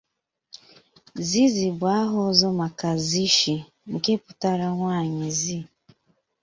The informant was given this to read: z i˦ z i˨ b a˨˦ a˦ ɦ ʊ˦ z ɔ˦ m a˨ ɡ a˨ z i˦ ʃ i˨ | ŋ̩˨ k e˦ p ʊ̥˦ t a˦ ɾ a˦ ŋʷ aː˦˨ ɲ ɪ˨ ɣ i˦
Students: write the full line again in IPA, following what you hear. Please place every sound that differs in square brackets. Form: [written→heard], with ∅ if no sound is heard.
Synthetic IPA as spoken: z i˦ z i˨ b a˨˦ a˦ ɦ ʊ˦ z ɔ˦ m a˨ [ɡ→k] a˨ z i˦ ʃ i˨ | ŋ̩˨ k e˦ p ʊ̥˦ t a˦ ɾ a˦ ŋʷ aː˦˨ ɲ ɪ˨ [ɣ→z] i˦